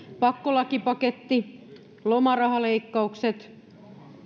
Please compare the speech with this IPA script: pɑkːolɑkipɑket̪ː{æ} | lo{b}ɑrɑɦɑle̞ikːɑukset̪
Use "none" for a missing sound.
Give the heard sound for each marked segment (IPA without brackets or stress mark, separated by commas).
i, m